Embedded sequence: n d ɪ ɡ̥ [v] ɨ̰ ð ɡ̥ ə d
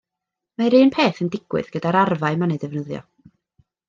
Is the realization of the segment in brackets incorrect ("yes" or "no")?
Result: yes